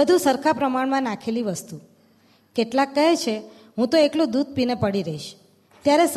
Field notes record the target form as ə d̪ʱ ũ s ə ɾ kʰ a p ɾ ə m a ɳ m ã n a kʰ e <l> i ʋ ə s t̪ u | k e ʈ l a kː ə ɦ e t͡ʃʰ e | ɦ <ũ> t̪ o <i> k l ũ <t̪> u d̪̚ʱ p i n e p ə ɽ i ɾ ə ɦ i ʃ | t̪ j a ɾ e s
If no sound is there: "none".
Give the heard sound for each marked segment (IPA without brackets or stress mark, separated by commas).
l, ũ, e, d̪